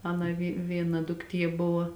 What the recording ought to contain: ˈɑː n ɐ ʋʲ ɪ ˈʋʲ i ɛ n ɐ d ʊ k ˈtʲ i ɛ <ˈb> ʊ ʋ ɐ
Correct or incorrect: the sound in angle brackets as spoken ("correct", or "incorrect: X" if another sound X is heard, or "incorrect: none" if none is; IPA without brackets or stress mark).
correct